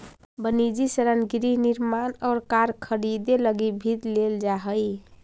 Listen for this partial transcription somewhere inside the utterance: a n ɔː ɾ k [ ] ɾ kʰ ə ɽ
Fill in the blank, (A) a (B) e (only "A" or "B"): A